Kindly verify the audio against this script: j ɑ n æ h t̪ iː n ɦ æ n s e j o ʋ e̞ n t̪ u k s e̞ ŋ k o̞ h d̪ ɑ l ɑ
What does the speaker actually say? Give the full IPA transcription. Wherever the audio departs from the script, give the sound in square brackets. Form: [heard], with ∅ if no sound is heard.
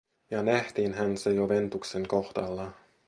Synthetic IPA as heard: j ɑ n æ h t̪ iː n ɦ æ n s e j o ʋ e̞ n t̪ u k s e̞ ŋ k o̞ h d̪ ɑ [lː] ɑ